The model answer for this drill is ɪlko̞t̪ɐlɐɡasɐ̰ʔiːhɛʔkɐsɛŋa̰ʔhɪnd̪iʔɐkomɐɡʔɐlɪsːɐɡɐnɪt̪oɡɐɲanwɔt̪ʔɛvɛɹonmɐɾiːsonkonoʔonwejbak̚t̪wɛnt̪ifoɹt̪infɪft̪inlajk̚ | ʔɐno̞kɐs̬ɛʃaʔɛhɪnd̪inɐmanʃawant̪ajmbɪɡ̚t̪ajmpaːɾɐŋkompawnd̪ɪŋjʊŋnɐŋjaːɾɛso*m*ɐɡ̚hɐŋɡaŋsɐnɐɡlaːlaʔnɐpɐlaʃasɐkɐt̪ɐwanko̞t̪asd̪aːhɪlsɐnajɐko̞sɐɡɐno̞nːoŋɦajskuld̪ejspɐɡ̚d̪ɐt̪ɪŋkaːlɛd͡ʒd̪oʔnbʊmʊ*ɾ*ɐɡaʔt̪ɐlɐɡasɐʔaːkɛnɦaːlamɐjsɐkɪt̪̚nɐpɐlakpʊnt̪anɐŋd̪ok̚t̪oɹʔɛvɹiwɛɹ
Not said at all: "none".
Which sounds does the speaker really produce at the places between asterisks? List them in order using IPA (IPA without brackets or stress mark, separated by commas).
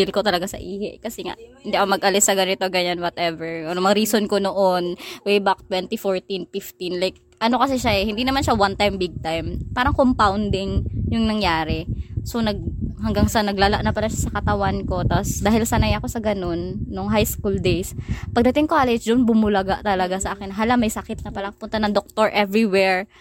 n, l